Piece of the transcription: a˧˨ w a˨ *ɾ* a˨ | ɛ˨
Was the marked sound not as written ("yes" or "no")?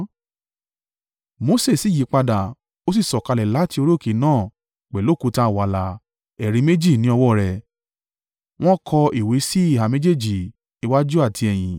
yes